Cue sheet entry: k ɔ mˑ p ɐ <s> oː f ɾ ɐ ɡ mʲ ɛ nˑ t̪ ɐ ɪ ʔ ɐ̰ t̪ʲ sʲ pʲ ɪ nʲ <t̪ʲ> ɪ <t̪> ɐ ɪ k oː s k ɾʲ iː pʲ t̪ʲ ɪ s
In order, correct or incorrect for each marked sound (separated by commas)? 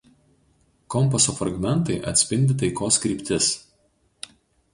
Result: correct, incorrect, correct